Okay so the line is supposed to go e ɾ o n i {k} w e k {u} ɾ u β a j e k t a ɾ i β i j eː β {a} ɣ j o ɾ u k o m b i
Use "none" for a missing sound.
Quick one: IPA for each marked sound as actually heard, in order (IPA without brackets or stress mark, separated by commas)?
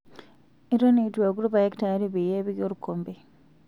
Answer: t, u, i